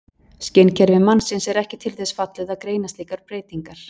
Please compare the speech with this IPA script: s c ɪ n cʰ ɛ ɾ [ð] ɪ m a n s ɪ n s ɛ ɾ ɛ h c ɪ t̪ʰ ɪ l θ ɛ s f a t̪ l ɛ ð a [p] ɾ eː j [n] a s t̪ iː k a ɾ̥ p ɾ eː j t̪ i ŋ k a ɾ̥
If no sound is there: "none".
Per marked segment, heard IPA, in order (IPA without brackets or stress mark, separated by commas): v, k, n